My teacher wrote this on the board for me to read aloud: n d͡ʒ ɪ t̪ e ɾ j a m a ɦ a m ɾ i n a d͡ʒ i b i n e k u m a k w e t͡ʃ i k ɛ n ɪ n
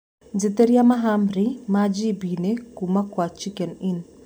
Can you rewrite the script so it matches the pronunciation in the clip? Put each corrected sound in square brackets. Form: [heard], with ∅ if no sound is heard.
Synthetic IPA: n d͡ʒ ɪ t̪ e ɾ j a m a ɦ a m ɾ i [m] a d͡ʒ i b i n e k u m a k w [a] t͡ʃ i k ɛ n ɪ n